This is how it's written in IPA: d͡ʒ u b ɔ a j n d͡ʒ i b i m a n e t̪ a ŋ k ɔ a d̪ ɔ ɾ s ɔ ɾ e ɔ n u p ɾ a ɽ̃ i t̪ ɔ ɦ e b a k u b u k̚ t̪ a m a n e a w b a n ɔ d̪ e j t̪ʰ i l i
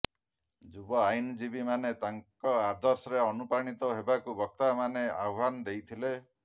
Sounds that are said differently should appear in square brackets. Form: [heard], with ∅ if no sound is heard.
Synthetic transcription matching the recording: d͡ʒ u b ɔ a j n d͡ʒ i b i m a n e t̪ a ŋ k ɔ a d̪ ɔ ɾ s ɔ ɾ e ɔ n u p ɾ a ɽ̃ i t̪ ɔ ɦ e b a k u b [ɔ] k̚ t̪ a m a n e a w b a n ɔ d̪ e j t̪ʰ i l [e]